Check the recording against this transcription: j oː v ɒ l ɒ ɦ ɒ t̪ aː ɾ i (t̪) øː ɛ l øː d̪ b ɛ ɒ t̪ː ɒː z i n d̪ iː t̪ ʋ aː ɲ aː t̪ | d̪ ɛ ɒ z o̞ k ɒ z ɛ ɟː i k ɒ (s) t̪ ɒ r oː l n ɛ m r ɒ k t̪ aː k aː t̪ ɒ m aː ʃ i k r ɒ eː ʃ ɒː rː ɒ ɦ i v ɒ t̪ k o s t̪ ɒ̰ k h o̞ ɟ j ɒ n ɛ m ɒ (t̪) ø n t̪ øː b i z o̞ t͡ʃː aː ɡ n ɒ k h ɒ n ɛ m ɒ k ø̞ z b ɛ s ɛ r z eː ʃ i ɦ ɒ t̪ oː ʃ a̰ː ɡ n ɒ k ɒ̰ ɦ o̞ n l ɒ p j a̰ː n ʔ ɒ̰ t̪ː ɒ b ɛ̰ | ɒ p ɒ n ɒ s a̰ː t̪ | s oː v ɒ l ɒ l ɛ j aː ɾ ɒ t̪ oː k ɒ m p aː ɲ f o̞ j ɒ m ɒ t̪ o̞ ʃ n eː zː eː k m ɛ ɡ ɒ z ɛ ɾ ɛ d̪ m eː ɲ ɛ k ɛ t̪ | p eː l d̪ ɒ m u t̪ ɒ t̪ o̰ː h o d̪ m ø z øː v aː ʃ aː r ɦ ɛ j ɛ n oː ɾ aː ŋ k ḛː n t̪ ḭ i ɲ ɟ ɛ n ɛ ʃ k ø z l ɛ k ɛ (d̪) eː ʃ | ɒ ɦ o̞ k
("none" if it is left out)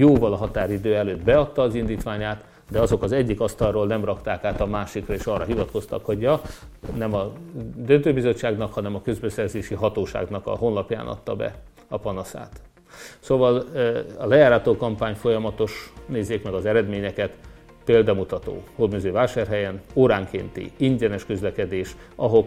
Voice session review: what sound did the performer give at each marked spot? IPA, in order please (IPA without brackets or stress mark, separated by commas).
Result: d̪, s, d̪, d̪